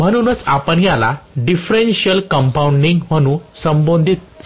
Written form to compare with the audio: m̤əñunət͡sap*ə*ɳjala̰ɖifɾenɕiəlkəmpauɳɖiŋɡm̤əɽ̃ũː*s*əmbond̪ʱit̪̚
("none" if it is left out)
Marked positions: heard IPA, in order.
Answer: ə, s

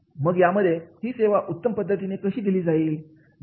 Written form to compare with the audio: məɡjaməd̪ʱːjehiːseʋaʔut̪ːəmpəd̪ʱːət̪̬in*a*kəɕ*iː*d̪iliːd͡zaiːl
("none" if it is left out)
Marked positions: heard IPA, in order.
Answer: e, iː

